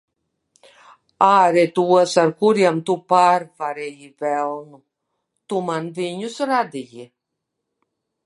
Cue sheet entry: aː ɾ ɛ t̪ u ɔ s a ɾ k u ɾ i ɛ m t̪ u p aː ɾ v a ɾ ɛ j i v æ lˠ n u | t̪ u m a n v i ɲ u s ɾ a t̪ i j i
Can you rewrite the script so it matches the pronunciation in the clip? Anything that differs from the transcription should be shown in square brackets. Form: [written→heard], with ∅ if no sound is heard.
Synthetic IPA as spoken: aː ɾ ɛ t̪ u ɔ s a ɾ k u ɾ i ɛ m t̪ u p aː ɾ v a ɾ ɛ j i v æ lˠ n u | t̪ u m a n v i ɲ u s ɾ a [t̪→d̪] i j i

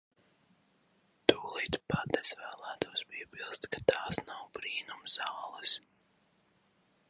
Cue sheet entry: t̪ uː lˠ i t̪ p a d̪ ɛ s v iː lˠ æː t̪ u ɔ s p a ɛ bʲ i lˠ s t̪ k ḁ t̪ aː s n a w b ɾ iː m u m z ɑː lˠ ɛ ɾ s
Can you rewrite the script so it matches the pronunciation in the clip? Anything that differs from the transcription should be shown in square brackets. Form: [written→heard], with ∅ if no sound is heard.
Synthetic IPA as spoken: t̪ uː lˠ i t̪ p a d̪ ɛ s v [iː→æː] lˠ æː t̪ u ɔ s p [a→i] ɛ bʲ i lˠ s t̪ k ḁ t̪ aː s n a w b ɾ iː [m→n] u m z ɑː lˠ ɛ [ɾ→∅] s

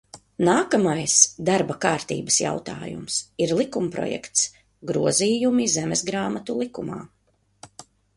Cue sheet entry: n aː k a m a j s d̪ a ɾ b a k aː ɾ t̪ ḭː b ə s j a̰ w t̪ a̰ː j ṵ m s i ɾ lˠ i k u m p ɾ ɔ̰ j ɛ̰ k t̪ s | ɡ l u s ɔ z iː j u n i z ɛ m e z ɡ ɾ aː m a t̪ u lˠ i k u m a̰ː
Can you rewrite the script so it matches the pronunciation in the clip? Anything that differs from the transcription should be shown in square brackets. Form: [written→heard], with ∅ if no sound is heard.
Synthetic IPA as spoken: n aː k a m a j s d̪ a ɾ b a k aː ɾ t̪ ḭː b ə s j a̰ w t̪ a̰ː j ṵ m s i ɾ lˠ i k u m p ɾ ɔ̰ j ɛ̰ k t̪ s | ɡ [l→ɾ] u [s→∅] ɔ z iː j u [n→m] i z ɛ m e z ɡ ɾ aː m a t̪ u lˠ i k u m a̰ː

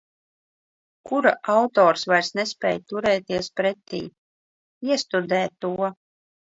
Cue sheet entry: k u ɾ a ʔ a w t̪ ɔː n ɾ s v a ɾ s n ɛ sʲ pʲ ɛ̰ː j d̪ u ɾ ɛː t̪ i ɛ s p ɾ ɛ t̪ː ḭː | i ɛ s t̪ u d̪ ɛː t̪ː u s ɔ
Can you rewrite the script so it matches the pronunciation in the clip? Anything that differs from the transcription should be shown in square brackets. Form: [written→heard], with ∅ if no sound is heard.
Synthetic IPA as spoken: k u ɾ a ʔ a w t̪ ɔː [n→∅] ɾ s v a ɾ s n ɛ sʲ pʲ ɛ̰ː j [d̪→t̪] u ɾ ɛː t̪ i ɛ s p ɾ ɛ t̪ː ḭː | i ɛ s t̪ u d̪ ɛː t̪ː u [s→∅] ɔ

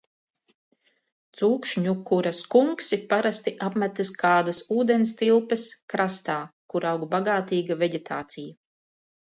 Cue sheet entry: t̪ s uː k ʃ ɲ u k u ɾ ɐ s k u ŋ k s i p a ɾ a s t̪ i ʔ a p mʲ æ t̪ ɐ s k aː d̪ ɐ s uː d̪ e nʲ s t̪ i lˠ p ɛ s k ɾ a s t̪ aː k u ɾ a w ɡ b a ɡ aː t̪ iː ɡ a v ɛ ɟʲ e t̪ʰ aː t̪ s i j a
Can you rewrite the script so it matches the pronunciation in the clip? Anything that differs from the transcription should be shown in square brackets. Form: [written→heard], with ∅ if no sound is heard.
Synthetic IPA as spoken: t̪ s uː k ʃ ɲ u k u ɾ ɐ s k u ŋ k s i p a ɾ a s t̪ i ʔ a p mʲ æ t̪ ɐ s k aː d̪ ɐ s uː d̪ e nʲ s t̪ i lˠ p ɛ s k ɾ a s t̪ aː k u ɾ a w ɡ b a ɡ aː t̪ iː ɡ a v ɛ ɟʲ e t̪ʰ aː t̪ s i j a

